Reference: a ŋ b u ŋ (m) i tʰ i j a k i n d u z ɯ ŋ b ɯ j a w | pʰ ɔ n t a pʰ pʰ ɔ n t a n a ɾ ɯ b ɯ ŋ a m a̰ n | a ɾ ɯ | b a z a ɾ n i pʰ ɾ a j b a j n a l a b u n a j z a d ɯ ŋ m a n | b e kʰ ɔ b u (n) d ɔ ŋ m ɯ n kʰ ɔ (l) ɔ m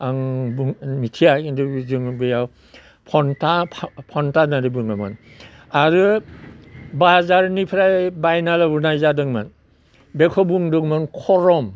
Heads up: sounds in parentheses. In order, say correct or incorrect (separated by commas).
correct, incorrect, incorrect